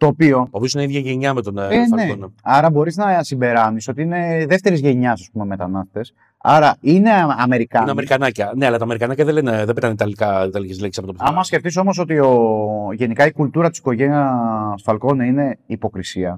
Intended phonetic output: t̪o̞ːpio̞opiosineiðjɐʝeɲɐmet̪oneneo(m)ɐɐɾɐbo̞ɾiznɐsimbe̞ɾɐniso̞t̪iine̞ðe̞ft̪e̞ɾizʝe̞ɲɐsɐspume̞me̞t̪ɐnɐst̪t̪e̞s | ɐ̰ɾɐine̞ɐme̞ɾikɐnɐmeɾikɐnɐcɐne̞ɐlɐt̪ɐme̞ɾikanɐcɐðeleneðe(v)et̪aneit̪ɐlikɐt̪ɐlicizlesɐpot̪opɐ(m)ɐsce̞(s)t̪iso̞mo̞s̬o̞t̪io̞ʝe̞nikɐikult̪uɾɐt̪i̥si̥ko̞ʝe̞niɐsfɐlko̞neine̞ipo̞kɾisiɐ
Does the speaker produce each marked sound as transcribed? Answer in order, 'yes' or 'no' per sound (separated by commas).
no, no, yes, no